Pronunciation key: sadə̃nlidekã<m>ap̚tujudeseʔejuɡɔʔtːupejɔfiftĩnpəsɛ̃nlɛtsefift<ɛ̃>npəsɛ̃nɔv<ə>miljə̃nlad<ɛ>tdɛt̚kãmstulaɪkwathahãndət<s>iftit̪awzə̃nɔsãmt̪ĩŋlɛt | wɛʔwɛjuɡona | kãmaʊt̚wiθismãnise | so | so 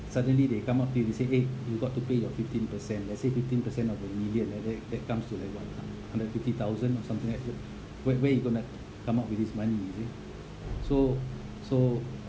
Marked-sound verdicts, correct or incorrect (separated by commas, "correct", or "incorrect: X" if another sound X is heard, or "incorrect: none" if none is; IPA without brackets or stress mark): correct, incorrect: ĩ, correct, correct, incorrect: f